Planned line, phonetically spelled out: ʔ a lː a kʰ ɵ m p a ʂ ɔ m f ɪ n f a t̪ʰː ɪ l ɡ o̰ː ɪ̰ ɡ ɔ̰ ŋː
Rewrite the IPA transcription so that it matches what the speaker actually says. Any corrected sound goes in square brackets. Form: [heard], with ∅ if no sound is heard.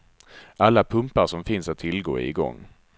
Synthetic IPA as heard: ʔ a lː a [pʰ] ɵ m p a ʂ ɔ m f ɪ n [s] a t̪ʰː ɪ l ɡ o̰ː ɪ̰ ɡ ɔ̰ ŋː